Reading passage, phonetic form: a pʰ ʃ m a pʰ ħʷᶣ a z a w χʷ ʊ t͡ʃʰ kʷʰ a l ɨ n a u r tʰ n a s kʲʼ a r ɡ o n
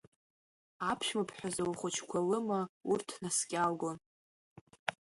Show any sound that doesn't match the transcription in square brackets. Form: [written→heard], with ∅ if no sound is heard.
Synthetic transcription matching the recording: a pʰ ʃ m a pʰ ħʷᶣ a z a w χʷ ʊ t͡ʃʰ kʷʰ a l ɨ [n→m] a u r tʰ n a s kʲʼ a [r→l] ɡ o n